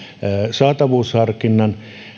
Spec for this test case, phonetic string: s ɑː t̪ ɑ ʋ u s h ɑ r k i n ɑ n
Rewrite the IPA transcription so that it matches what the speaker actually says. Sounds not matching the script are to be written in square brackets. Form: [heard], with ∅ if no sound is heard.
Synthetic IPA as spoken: s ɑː t̪ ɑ ʋ [uː] s h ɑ r k i [nː] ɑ n

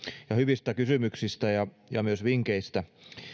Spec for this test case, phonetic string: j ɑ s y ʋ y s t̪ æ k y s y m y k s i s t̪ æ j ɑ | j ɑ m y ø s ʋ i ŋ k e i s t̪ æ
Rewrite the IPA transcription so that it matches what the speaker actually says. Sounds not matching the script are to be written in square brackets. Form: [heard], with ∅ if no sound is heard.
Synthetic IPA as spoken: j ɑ [h] y ʋ [i] s t̪ æ k y s y m y k s i s t̪ æ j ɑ | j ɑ m y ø s ʋ i ŋ k e i s t̪ æ

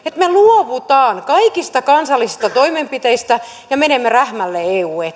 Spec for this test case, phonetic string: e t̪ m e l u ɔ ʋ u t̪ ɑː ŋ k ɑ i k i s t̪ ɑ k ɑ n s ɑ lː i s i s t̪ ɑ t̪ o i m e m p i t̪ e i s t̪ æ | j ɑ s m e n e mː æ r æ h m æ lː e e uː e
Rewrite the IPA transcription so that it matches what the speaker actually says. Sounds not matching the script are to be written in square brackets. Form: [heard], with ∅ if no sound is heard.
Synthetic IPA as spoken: e t̪ m e l u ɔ ʋ u t̪ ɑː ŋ k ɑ i k i s t̪ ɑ k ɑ n s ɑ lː i s i s t̪ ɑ t̪ o i m e m p i t̪ e i s t̪ æ | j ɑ [∅] m e n e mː [e] r æ h m æ lː e e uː e

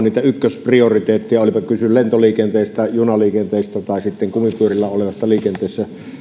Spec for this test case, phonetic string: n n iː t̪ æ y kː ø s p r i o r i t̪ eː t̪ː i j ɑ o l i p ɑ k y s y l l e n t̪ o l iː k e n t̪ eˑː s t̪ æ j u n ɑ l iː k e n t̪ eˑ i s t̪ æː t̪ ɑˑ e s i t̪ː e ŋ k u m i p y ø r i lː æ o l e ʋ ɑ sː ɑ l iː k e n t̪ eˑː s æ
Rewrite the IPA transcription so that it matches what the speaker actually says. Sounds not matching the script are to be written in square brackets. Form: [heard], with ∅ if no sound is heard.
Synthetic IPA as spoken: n n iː t̪ æ y kː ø s p r i o r i t̪ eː t̪ː i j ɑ o l i p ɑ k y s y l l e n t̪ o l iː k e n t̪ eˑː s t̪ æ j u n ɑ l iː k e n t̪ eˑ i s t̪ [æ] t̪ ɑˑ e s i t̪ː e ŋ k u m i p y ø r i lː æ o l e ʋ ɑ sː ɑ l iː k e n t̪ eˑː [sː] æ

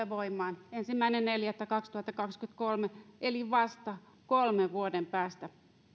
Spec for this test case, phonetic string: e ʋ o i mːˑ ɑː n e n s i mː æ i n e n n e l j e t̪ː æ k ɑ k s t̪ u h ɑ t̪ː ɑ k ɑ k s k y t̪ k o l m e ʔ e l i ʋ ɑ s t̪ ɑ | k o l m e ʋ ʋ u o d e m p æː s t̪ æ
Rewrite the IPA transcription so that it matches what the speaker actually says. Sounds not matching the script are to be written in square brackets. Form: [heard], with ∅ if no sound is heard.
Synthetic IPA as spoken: e ʋ o i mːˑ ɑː n e n s i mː æ i n e n n e l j [æ] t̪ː æ k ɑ k s t̪ u h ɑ t̪ː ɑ k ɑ k s k y t̪ k o l m e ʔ e l i ʋ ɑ s t̪ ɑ | k o l m e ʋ ʋ u o d e m p æː s t̪ æ

